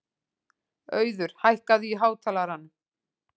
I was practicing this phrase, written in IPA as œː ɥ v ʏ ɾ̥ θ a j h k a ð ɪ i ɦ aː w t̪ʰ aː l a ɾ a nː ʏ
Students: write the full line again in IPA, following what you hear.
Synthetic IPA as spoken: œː ɥ ð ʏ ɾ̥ h a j h k a ð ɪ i ɦ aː w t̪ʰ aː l a ɾ a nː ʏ